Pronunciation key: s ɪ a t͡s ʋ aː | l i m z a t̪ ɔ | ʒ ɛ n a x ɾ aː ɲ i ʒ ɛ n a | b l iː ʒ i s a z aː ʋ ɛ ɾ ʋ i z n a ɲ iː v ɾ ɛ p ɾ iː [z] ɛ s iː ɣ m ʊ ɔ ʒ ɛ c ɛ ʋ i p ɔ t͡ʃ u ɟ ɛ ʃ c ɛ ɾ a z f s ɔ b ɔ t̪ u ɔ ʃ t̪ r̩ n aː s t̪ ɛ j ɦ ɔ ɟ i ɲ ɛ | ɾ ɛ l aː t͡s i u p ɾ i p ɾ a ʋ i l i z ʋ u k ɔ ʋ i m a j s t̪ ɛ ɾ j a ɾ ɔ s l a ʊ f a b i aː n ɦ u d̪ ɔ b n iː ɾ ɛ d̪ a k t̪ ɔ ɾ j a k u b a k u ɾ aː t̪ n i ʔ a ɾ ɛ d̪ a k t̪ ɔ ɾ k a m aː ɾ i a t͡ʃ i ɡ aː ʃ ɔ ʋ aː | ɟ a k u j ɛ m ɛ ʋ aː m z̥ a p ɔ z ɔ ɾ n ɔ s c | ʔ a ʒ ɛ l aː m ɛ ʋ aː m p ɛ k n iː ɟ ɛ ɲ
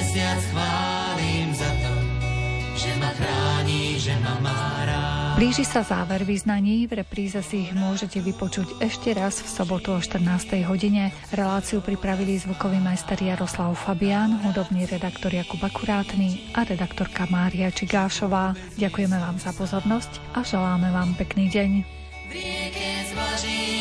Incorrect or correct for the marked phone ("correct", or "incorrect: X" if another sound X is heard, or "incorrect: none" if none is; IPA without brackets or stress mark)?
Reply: correct